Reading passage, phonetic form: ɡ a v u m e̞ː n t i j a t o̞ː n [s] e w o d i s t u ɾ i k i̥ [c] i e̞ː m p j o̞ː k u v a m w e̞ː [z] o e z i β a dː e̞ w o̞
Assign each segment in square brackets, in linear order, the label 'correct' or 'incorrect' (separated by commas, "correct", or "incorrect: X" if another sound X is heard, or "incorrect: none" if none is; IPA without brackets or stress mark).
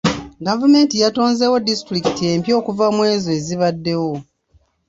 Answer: incorrect: z, incorrect: t, correct